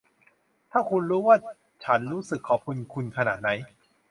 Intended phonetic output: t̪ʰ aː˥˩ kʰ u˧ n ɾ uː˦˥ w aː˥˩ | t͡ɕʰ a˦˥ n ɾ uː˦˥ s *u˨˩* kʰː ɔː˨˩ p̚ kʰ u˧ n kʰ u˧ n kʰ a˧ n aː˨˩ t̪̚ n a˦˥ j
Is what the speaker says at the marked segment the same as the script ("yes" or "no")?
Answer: no